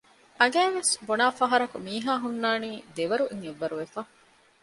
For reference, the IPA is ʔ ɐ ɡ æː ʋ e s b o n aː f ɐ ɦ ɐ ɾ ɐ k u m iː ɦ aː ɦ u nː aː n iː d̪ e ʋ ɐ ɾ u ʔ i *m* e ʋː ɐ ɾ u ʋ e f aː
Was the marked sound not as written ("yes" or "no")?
yes